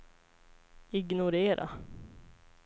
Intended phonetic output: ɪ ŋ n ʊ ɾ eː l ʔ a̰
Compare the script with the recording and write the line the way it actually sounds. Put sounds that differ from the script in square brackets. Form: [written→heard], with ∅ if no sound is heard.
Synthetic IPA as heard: ɪ [ŋ→ɡ] n ʊ ɾ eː [l→ɾ] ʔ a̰